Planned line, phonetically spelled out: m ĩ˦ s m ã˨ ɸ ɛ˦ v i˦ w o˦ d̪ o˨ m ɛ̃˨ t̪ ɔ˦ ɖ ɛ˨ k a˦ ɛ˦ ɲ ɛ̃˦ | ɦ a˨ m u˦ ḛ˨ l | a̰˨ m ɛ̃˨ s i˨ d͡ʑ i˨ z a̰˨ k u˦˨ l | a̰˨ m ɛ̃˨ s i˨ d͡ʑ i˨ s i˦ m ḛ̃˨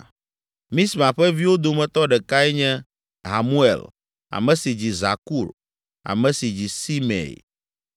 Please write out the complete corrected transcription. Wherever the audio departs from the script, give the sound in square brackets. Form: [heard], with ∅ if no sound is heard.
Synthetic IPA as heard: m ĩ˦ s m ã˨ ɸ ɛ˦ v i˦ w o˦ d̪ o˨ m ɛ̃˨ t̪ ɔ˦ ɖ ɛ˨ k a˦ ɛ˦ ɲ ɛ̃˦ | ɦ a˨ m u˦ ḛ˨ l | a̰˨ m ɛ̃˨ s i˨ d͡ʑ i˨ z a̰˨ k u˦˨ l | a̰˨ m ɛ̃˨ s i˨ d͡ʑ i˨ s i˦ m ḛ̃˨

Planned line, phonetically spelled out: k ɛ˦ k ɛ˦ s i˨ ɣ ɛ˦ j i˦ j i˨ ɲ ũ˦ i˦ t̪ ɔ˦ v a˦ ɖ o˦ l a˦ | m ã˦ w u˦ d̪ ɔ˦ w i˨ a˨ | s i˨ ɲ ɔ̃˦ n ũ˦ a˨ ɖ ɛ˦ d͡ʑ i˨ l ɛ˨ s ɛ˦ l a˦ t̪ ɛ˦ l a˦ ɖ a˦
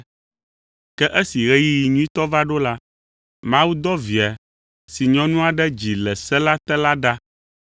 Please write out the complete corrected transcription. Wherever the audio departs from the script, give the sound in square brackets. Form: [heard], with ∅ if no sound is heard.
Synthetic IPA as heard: k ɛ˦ [ʔ] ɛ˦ s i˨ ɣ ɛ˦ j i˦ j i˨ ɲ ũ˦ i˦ t̪ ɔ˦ v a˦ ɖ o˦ l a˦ | m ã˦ w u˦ d̪ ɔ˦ [v] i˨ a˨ | s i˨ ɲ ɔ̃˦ n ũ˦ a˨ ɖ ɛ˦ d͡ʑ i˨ l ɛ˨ s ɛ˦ l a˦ t̪ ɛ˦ l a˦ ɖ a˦

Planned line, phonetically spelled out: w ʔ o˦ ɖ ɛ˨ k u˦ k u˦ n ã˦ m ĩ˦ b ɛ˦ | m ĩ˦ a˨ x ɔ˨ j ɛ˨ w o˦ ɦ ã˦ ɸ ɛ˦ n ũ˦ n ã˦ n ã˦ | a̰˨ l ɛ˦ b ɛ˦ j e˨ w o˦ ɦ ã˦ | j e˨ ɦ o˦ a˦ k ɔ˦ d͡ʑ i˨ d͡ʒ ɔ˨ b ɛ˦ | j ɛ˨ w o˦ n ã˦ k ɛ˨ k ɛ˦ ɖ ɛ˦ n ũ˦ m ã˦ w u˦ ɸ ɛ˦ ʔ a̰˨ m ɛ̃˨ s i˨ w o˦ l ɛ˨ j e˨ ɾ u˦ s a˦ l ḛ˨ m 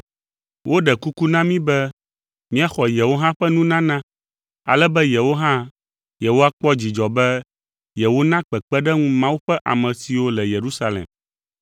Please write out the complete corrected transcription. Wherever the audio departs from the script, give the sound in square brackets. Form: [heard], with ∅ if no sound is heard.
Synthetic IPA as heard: w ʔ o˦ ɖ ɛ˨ k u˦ k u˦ n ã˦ m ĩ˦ b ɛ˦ | m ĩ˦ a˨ x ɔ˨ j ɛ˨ w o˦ ɦ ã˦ ɸ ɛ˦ n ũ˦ n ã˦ n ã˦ | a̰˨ l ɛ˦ b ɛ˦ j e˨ w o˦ ɦ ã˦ | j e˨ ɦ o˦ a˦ [k͡p] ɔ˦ d͡ʑ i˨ d͡ʒ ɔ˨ b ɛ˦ | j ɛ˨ w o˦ n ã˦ [k͡p] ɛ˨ [k͡p] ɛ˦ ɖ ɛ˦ [ŋ] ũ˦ m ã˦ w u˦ ɸ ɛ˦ ʔ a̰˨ m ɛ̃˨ s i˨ w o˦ l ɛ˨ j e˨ ɾ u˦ s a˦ l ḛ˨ m

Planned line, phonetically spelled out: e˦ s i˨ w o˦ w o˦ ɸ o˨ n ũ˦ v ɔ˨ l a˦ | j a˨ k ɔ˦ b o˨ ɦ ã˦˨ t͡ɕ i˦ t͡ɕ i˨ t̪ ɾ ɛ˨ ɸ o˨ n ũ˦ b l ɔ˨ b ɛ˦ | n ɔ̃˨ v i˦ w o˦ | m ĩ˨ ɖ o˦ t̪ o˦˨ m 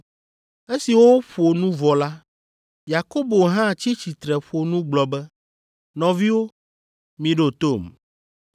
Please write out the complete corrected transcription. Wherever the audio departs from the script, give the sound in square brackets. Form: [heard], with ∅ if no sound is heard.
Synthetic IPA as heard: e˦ s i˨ w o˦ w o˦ ɸ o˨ n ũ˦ v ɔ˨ l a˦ | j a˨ k [o˦] b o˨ ɦ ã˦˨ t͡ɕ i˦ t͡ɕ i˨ t̪ ɾ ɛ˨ ɸ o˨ n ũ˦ [ɡ͡b] l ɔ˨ b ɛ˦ | n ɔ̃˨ v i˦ w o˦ | m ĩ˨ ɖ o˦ t̪ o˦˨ m

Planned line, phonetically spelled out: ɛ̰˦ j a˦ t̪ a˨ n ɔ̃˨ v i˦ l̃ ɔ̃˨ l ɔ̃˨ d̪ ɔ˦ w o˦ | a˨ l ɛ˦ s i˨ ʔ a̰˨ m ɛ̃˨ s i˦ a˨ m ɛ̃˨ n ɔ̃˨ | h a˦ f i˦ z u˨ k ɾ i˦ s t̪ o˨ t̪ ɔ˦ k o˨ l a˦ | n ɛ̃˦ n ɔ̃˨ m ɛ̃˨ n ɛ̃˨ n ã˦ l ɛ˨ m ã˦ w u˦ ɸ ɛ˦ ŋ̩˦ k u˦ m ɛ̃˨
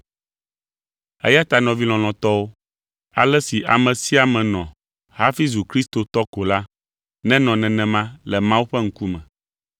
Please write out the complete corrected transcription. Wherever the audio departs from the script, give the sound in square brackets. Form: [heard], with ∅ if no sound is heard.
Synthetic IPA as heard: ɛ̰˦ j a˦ t̪ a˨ n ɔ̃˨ v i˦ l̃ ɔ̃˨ l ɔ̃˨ [t̪] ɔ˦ w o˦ | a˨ l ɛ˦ s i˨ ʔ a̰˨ m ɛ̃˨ s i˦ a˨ m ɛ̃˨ n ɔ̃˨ | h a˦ f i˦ z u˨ k ɾ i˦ s t̪ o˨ t̪ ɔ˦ k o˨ l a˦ | n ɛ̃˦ n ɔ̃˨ [n] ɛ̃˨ n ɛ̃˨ [m] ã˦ l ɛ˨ m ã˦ w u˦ ɸ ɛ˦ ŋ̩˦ k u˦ m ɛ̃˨

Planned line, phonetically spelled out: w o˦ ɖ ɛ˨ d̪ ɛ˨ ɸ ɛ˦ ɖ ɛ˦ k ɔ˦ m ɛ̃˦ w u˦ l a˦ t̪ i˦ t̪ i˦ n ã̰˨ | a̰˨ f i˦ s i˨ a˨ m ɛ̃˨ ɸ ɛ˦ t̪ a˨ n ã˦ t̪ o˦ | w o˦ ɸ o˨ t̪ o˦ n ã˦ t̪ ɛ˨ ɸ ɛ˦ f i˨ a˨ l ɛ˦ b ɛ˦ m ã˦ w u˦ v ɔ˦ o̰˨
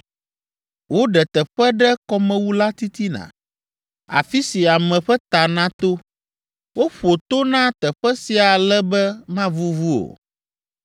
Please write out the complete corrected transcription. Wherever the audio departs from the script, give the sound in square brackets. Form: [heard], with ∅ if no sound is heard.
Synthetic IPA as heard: w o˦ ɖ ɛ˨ [t̪] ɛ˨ ɸ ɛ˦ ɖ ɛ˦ k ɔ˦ m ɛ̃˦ w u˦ l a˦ t̪ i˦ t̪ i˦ n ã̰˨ | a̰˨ f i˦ s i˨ a˨ m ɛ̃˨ ɸ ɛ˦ t̪ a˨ n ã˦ t̪ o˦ | w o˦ ɸ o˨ t̪ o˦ n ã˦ t̪ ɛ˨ ɸ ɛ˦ [s] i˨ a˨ l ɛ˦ b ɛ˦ m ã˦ [v] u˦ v [u˦] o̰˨

